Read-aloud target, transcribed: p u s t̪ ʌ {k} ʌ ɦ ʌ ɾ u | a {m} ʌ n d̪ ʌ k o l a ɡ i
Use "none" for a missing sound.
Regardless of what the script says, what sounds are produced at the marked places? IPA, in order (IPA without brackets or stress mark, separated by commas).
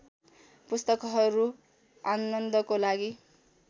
k, n